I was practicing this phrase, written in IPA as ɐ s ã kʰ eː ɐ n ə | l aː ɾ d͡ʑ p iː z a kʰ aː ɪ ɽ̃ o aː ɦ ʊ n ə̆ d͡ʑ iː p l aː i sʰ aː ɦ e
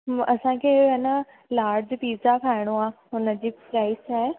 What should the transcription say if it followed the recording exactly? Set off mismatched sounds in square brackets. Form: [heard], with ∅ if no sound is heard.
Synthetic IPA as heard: ɐ s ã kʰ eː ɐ n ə | l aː ɾ d͡ʑ p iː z a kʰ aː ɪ ɽ̃ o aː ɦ ʊ n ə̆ d͡ʑ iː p [ɾ] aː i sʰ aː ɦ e